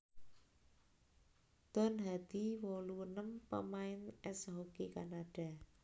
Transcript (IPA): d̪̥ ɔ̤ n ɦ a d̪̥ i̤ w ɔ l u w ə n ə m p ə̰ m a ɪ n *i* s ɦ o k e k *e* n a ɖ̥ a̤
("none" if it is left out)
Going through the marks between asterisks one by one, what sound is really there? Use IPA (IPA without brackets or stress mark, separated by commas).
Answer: ɛ, a